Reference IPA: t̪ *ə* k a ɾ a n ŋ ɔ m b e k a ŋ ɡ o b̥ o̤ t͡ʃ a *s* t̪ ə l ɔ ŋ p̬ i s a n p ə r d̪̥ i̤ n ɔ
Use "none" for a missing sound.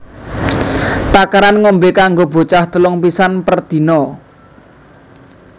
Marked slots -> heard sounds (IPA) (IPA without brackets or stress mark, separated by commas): a, h